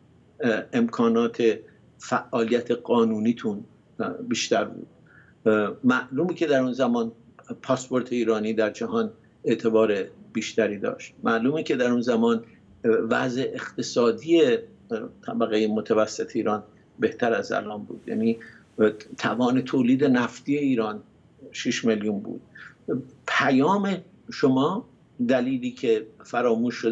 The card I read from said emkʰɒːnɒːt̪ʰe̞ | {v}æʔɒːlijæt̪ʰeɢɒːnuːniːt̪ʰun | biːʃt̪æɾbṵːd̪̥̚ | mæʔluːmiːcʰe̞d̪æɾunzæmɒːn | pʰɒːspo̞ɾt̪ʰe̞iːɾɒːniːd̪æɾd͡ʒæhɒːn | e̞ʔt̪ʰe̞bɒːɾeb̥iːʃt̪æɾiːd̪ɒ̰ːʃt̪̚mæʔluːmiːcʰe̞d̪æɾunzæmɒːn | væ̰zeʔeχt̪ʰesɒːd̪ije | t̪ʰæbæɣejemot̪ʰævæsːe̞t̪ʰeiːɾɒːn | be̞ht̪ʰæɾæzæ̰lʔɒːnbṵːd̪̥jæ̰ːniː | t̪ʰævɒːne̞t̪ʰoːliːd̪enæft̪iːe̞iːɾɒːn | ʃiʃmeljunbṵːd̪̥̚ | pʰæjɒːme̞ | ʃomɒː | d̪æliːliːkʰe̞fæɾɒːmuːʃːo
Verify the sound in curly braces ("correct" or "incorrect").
incorrect